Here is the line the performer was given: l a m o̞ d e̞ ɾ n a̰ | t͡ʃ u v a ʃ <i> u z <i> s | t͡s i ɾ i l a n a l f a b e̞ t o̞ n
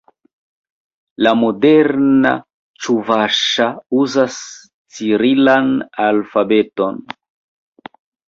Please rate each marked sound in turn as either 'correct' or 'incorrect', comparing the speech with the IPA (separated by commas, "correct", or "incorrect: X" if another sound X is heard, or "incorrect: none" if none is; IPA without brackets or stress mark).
incorrect: a, incorrect: a